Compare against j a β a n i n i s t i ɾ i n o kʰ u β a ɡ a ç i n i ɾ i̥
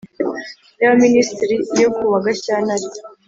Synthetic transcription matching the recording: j a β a m i n i s t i ɾ i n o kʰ u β a ɡ a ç a n a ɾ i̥